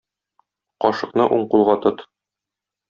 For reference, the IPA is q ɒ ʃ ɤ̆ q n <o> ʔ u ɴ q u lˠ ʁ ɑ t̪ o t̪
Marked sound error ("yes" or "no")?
yes